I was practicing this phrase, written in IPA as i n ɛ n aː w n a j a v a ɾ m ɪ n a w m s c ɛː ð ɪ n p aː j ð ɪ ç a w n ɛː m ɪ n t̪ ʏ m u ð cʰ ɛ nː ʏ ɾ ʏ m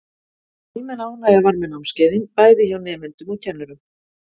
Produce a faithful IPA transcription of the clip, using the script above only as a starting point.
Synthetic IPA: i m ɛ n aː w n a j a v a ɾ m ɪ n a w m s c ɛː ð ɪ n p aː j ð ɪ ç a w n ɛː m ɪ n t̪ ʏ m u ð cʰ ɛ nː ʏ ɾ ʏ m